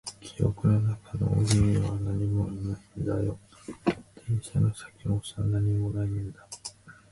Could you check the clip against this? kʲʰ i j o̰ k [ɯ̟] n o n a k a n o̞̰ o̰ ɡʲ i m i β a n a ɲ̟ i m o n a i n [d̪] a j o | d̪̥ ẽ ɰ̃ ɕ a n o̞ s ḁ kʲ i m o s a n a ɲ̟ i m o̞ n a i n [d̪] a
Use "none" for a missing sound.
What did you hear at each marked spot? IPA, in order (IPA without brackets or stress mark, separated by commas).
ɯ̟, d̪, d̪